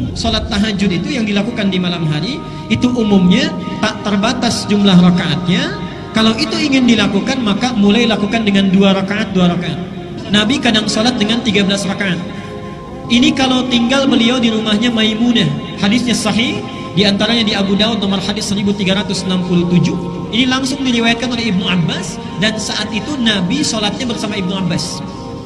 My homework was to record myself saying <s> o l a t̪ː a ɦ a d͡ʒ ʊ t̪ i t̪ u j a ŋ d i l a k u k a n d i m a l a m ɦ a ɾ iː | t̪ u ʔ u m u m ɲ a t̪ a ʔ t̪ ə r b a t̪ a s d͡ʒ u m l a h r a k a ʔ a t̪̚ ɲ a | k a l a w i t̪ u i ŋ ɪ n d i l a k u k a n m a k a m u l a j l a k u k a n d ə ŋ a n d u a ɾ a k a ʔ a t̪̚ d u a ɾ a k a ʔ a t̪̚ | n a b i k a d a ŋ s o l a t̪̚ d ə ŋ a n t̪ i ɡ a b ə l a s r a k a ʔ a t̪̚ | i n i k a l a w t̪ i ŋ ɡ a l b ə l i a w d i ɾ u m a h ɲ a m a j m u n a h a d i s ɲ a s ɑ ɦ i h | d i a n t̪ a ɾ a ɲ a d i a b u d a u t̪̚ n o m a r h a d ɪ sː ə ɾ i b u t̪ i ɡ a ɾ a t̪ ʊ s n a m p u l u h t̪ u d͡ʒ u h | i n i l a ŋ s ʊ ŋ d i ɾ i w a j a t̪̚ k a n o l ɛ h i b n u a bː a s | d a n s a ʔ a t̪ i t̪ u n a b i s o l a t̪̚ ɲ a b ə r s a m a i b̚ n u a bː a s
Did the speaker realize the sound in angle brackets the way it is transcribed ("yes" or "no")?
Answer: yes